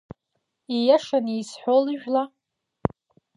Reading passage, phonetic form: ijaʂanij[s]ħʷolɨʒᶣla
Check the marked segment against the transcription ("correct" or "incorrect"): correct